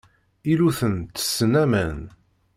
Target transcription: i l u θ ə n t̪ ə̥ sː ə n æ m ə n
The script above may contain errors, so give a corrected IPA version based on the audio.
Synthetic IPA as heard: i l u θ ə n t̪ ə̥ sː ə n æ m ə n